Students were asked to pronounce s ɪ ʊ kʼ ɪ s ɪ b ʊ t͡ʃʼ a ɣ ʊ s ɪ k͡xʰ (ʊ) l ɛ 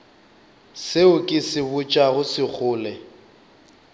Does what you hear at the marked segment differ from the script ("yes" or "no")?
yes